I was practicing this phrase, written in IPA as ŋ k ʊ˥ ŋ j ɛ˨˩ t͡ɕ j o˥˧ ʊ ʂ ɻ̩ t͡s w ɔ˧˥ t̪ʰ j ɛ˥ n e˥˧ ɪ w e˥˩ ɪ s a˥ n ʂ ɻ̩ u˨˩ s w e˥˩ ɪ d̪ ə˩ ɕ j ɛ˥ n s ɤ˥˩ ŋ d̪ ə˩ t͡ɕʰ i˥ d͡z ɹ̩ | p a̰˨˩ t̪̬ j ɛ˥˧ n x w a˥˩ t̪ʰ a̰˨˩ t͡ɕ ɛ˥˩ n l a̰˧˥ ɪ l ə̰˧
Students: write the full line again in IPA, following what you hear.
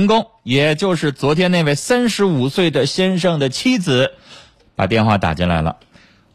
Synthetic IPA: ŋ k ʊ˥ ŋ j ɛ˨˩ t͡ɕ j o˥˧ ʊ ʂ ɻ̩ t͡s w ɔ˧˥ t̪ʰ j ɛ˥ n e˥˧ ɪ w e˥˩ ɪ s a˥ n ʂ ɻ̩ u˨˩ s w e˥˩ ɪ d̪ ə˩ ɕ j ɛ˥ n ʂ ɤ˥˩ ŋ d̪ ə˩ t͡ɕʰ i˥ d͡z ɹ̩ | p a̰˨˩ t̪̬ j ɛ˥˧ n x w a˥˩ t̪ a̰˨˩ t͡ɕ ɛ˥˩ n l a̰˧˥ ɪ l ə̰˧